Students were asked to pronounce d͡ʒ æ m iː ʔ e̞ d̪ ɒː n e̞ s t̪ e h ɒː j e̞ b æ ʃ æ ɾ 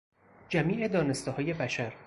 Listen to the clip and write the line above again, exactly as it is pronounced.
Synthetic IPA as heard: d͡ʒ æ m iː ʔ e̞ d̪ ɒː n e̞ s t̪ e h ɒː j e̞ b æ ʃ æ ɾ